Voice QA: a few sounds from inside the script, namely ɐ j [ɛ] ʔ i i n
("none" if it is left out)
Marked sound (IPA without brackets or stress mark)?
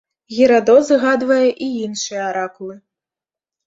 ɛ